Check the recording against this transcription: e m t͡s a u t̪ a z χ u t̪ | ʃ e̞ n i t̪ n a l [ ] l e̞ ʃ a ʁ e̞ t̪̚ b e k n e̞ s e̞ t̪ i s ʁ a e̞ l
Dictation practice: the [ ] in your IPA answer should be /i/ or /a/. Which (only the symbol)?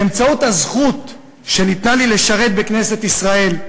i